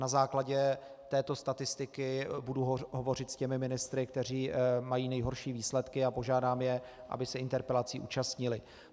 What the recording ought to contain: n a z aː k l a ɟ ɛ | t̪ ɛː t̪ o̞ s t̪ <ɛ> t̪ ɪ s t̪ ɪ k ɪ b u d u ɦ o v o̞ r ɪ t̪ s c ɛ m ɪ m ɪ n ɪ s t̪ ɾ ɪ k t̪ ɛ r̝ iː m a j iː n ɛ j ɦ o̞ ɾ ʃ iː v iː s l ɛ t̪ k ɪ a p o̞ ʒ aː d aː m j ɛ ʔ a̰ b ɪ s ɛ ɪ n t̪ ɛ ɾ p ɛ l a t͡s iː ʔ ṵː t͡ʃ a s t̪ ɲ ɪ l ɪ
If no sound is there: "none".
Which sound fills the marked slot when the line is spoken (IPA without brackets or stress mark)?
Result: a